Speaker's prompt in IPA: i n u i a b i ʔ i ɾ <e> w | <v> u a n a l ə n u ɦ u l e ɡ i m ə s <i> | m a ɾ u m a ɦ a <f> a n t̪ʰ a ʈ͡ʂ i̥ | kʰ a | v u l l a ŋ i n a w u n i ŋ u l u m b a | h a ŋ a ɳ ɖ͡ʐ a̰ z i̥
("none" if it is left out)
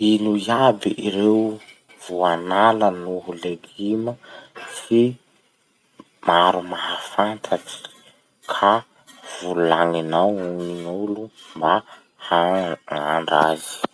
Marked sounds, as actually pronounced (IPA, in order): e, v, i, f

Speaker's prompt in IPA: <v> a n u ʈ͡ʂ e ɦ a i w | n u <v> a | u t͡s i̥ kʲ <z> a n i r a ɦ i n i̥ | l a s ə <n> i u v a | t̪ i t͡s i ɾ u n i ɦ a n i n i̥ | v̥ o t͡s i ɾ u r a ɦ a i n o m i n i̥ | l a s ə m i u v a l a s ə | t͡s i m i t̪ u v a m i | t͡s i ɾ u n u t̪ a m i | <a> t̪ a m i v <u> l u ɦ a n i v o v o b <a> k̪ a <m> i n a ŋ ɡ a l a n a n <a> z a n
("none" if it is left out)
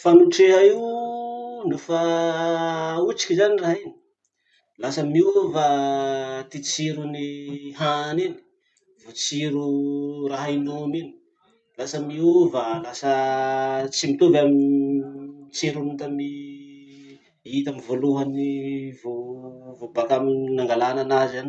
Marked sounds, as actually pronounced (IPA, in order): f, f, z, m, i, o, a, m, a

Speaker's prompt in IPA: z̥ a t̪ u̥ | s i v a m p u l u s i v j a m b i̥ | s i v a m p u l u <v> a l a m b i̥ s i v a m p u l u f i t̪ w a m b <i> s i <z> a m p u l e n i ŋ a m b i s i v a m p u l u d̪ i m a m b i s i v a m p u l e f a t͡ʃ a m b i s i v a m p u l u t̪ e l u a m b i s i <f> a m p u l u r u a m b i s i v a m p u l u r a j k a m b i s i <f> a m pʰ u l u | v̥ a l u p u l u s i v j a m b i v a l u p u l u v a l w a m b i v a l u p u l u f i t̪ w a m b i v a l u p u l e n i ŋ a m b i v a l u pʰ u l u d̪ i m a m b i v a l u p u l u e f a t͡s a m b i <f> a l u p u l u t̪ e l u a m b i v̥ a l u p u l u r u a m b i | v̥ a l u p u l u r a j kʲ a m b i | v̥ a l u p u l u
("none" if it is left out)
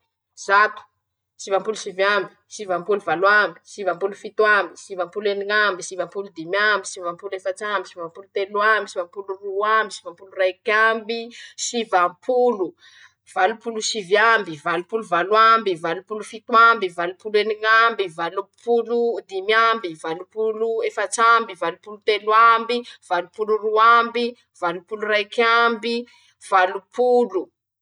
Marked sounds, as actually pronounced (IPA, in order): v, i, v, v, v, v

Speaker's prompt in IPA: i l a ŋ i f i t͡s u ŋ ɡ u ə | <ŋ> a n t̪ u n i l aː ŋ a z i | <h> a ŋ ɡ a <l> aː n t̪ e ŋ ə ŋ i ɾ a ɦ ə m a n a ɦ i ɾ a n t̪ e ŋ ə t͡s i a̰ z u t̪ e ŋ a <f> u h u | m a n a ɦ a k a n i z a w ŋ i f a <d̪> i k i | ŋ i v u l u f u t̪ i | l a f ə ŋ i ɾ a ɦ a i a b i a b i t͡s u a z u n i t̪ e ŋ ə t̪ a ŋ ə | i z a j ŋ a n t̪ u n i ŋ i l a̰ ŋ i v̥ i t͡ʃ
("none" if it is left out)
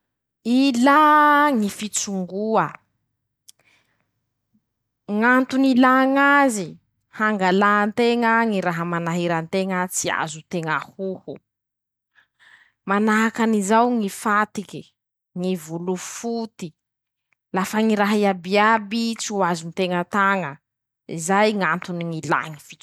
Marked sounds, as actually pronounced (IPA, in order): ŋ, h, l, h, t̪

